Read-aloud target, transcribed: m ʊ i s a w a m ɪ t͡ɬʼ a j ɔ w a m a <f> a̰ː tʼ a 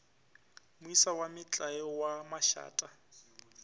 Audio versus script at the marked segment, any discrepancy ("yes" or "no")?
yes